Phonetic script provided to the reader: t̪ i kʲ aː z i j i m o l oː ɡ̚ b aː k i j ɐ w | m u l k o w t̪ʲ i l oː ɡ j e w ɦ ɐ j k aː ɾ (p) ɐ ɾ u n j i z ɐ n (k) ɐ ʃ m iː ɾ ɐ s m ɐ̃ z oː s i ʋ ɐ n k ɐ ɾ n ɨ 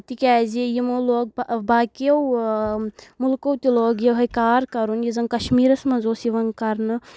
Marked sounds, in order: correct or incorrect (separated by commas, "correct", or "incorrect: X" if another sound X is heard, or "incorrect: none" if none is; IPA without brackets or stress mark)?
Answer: incorrect: k, correct